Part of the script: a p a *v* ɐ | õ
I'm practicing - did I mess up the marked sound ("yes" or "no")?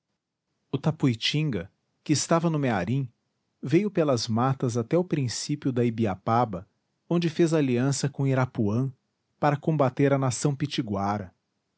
yes